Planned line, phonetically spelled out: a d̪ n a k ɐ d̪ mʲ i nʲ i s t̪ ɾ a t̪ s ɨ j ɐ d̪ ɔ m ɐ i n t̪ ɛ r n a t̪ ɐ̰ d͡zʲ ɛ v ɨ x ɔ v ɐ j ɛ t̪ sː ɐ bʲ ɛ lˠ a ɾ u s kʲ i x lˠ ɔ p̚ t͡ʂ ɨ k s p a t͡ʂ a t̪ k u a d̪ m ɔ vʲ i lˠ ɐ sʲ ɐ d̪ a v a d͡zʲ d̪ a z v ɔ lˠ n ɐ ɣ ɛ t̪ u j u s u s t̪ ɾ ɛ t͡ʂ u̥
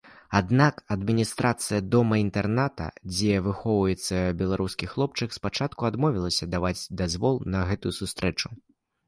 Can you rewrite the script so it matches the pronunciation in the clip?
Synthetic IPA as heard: a d̪ n a k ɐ d̪ mʲ i nʲ i s t̪ ɾ a t̪ s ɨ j ɐ d̪ ɔ m ɐ i n t̪ ɛ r n a t̪ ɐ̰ d͡zʲ ɛ v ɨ x ɔ v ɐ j ɛ t̪ sː ɐ bʲ ɛ lˠ a ɾ u s kʲ i x lˠ ɔ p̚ t͡ʂ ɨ k s p a t͡ʂ a t̪ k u a d̪ m ɔ vʲ i lˠ ɐ sʲ ɐ d̪ a v a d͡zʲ d̪ a z v ɔ lˠ n ɐ ɣ ɛ t̪ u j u s u s t̪ ɾ ɛ t͡ʂ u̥